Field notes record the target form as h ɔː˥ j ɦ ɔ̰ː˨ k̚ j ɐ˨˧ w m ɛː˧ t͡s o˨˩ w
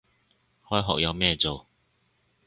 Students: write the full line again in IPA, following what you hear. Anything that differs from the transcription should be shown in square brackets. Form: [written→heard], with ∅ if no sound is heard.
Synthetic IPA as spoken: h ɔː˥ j ɦ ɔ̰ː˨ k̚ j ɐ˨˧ w m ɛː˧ t͡s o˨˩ w